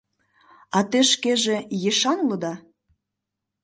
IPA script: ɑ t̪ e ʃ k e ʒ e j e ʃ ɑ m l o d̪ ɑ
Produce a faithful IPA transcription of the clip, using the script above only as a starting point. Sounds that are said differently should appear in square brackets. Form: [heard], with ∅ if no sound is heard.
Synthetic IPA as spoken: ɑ t̪ e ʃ k e ʒ e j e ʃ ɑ [n] l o d̪ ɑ